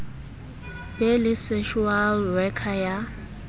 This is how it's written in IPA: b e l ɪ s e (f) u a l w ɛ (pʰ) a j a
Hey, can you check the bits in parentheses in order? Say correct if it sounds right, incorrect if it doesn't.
incorrect, incorrect

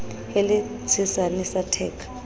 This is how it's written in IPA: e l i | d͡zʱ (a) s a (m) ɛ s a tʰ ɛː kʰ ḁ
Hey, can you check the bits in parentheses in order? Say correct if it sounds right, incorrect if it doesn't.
incorrect, incorrect

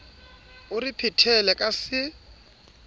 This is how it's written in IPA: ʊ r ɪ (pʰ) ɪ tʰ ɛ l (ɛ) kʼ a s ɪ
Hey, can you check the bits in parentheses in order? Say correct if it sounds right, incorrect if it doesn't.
correct, correct

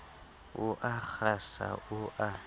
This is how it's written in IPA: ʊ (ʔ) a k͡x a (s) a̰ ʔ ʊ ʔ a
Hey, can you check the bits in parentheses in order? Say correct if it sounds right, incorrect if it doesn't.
correct, correct

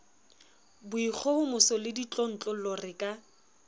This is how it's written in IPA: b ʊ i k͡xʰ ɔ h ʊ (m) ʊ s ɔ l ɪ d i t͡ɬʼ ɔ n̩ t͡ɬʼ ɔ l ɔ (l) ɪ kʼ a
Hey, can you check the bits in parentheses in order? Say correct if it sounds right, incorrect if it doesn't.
correct, incorrect

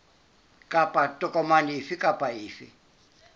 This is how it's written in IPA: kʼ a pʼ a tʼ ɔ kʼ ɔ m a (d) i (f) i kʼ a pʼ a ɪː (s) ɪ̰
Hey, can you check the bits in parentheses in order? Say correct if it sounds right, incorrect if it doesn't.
incorrect, correct, incorrect

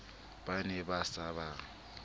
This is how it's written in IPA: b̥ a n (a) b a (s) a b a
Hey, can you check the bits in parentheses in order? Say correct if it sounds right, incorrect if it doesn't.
incorrect, correct

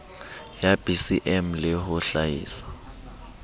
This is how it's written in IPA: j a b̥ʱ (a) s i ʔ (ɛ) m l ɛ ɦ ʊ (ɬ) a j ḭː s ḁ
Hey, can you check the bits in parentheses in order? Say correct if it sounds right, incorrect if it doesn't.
incorrect, correct, correct

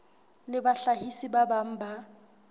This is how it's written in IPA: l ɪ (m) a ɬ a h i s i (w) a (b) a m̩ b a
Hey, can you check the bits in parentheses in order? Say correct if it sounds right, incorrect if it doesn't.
incorrect, incorrect, correct

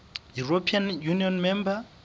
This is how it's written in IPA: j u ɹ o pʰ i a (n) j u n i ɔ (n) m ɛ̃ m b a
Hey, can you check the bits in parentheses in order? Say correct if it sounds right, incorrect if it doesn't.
correct, correct

